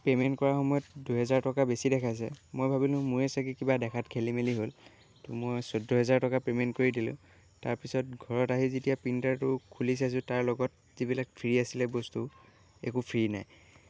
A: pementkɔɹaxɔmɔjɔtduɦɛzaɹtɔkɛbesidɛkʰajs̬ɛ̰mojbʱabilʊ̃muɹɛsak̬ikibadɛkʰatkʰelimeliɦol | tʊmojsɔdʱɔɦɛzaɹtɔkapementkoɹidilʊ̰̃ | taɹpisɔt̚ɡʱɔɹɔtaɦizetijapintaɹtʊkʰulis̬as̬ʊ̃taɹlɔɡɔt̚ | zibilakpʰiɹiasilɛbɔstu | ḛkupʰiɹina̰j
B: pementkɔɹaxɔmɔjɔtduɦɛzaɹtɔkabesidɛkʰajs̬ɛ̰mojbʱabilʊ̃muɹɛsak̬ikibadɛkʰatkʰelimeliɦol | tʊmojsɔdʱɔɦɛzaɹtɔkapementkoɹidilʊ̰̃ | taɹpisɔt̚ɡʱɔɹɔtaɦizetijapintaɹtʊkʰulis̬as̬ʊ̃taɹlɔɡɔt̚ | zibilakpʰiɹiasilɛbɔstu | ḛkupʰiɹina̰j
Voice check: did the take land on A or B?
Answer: B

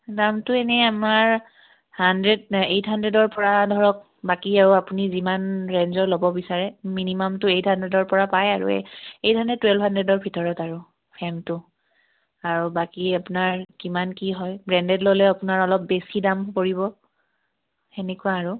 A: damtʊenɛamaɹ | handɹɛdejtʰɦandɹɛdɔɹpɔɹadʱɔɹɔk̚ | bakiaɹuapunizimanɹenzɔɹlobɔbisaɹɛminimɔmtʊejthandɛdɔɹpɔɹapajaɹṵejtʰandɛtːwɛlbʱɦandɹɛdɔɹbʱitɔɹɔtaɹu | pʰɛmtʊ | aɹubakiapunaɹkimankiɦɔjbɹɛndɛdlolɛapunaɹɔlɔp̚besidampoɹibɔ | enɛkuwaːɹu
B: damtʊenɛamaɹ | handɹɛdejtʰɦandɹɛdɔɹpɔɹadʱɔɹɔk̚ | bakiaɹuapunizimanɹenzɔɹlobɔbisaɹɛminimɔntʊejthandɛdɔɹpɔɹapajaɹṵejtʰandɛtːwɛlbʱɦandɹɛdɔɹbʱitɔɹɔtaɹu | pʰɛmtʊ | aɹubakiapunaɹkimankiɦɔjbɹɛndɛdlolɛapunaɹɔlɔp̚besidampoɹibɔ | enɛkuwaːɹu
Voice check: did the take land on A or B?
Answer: A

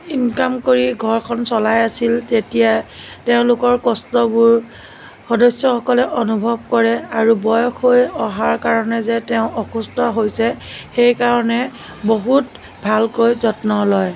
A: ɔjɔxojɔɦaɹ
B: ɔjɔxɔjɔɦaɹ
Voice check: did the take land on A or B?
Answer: A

